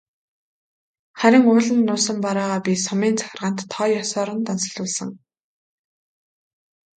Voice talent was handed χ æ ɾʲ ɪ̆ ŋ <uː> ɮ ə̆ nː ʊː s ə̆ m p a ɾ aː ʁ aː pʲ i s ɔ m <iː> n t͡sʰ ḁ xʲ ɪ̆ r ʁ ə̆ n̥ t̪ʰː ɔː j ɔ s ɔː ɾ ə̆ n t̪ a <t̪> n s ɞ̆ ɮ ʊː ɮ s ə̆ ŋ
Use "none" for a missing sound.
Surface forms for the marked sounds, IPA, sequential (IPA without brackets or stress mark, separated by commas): ʊː, iː, none